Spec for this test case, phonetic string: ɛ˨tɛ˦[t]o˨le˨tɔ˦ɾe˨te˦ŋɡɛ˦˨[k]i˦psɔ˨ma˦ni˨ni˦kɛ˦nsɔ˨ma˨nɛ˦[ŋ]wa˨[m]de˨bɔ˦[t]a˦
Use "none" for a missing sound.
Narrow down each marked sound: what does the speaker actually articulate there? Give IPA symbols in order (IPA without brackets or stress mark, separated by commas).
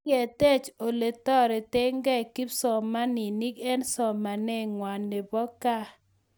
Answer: t͡ʃ, k, ŋ, n, k